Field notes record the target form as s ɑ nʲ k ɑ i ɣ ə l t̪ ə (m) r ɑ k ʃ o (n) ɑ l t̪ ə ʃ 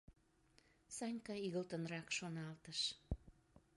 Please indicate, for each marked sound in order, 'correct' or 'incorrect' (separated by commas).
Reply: incorrect, correct